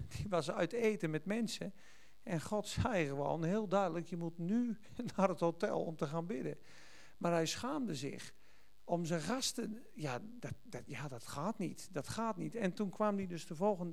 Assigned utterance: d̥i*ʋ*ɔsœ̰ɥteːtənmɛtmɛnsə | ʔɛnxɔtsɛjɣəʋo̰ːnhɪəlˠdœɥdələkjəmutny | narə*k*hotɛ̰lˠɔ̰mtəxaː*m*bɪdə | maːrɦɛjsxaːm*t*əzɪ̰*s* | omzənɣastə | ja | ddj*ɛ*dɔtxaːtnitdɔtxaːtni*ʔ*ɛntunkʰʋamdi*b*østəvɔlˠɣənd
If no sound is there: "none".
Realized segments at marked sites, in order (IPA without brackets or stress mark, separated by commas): ʋ, t, n, d, x, a, t, d